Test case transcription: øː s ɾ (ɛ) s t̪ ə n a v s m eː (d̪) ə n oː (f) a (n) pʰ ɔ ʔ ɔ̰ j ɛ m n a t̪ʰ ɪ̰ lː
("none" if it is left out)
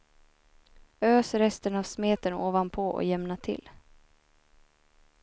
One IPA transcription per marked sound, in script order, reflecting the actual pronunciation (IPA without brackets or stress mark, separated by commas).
ɛ, t̪, v, n